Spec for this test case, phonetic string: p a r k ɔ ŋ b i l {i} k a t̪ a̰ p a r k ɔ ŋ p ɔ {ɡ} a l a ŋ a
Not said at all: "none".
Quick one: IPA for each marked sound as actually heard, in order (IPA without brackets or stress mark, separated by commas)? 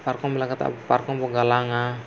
a, ɡ